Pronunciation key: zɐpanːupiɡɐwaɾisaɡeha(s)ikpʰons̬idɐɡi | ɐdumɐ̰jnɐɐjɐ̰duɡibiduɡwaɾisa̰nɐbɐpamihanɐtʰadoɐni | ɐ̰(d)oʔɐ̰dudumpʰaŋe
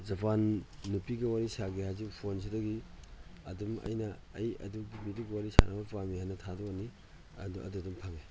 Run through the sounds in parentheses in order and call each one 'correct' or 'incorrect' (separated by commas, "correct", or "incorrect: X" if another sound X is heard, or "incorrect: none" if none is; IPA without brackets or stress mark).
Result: incorrect: z, correct